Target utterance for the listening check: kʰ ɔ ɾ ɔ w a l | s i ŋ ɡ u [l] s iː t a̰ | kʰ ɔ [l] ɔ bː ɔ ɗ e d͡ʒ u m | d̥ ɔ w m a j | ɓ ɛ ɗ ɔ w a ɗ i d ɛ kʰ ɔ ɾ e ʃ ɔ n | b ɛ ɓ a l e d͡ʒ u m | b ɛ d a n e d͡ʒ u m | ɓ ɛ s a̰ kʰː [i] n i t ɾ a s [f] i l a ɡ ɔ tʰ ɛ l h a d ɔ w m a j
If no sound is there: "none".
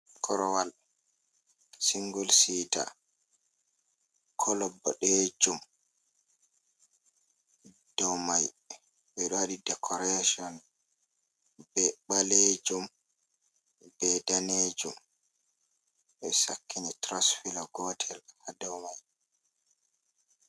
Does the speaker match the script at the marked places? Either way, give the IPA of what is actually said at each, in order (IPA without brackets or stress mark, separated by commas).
l, l, i, f